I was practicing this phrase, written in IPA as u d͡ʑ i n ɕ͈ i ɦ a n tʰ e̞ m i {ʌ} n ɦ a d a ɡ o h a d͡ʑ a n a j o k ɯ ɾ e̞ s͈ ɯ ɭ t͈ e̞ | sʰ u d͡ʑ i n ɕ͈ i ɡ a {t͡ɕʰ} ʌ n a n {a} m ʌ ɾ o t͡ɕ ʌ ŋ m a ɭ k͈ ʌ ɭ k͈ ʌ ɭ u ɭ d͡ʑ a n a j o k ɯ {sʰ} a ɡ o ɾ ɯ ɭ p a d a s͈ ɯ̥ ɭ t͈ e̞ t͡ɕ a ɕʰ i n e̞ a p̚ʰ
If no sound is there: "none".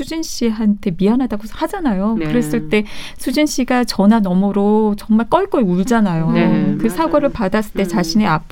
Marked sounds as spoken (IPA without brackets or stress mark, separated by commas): a, t͡ɕ, ʌ, sʰ